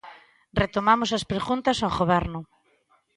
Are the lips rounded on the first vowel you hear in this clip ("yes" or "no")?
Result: no